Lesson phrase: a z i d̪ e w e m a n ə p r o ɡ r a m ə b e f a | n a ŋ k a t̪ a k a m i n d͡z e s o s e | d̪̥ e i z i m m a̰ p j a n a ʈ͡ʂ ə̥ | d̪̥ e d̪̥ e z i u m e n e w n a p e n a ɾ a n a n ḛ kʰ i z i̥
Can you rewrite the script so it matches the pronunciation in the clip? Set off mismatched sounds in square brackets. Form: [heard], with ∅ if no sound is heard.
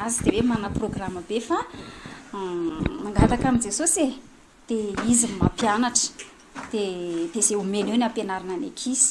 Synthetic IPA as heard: a z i d̪ e w e m a n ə p r o ɡ r a m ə b e f a | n a ŋ [ɡ] a t̪ a k a m i n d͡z e s o s e | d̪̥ e i z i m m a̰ p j a n a ʈ͡ʂ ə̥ | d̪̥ e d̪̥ e z [e] u m e n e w n a p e n a ɾ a n a n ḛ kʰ i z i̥

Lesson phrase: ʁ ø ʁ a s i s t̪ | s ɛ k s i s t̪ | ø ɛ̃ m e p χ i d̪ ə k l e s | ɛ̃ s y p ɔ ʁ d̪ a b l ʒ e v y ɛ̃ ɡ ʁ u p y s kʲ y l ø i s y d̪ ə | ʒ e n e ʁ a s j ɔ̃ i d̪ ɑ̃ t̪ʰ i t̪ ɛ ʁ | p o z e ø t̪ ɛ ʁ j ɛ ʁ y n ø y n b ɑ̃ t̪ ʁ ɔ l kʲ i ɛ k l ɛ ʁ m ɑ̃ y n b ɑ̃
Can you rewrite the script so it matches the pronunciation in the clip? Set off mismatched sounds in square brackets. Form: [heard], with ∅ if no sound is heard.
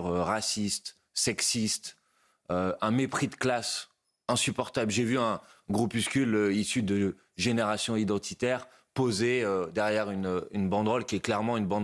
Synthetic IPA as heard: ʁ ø ʁ a s i s t̪ | s ɛ k s i s t̪ | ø ɛ̃ m e p χ i d̪ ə k l [a] s | ɛ̃ s y p ɔ ʁ [t̪] a b l ʒ e v y ɛ̃ ɡ ʁ u p y s kʲ y l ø i s y d̪ ə | ʒ e n e ʁ a s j ɔ̃ i d̪ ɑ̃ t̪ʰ i t̪ ɛ ʁ | p o z e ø [d̪] ɛ ʁ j ɛ ʁ y n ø y n b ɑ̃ [d̪] ʁ ɔ l kʲ i ɛ k l ɛ ʁ m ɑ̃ y n b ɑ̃

